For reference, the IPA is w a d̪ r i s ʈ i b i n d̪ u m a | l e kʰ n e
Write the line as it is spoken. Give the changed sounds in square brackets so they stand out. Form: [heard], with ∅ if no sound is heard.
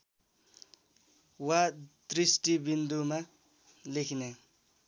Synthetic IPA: w a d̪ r i s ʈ i b i n d̪ u m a | l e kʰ n e